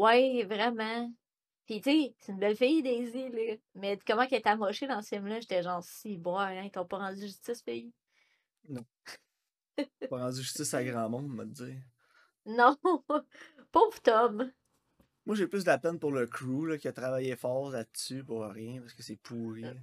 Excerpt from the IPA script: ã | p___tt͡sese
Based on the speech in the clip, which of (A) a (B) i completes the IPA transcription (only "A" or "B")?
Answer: B